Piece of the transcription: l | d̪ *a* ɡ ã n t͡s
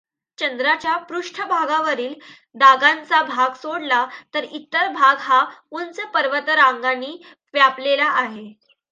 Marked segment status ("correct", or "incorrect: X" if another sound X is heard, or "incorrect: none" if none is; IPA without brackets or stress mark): correct